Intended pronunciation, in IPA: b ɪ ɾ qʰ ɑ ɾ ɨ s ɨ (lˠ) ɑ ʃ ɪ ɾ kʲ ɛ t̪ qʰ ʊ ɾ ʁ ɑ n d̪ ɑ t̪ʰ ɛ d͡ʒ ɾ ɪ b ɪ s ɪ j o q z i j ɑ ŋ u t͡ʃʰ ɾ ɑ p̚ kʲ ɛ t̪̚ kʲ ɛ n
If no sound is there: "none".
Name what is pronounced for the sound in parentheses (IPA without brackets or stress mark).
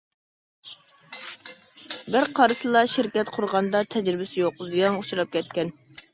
lˠ